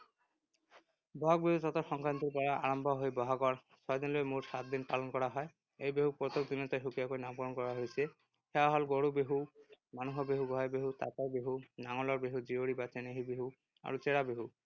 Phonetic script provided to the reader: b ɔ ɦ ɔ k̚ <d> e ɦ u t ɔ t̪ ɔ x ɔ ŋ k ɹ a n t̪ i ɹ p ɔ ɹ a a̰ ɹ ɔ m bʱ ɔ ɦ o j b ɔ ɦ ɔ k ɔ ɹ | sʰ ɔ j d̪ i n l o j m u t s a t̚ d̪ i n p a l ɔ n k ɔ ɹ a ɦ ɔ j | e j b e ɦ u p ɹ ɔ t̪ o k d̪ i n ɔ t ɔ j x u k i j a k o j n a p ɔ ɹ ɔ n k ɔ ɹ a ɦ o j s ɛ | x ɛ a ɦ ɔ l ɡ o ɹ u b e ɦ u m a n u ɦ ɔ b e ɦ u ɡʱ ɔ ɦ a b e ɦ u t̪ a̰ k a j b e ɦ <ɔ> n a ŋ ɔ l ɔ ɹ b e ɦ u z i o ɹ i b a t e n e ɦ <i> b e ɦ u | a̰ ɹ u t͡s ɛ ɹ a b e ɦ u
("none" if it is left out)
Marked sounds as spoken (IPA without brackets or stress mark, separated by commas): b, u, i